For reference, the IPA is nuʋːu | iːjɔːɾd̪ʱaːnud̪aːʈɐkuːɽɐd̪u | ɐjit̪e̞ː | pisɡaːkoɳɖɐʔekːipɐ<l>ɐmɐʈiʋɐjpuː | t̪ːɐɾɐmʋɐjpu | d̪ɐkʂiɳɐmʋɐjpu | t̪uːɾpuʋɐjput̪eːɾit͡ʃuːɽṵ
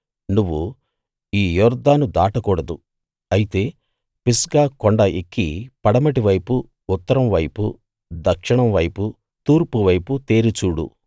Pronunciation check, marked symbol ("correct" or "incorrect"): incorrect